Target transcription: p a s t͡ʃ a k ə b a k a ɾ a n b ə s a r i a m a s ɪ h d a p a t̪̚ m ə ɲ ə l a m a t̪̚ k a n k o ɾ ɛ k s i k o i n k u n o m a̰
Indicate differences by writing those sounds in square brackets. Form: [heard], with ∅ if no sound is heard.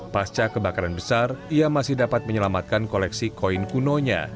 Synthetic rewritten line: p a s t͡ʃ a k ə b a k a ɾ a n b ə s a r i a m a s ɪ h d a p a t̪̚ m ə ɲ ə l a m a t̪̚ k a n k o [l] ɛ k s i k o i n k u n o [ɲ] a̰